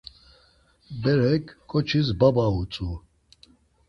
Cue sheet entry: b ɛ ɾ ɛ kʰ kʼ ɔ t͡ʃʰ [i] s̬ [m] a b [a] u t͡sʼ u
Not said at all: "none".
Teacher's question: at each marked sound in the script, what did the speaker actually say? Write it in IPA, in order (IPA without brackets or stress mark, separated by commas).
i, b, a